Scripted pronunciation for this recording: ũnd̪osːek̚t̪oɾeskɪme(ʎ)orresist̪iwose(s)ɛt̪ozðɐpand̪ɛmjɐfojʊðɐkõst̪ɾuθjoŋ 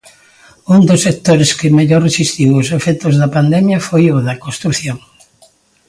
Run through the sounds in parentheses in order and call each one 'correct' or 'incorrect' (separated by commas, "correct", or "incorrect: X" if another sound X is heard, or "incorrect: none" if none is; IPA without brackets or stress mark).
correct, incorrect: f